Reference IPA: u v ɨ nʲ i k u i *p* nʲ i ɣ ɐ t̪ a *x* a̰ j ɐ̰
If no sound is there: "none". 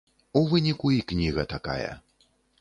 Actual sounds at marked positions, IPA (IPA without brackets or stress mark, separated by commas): k, k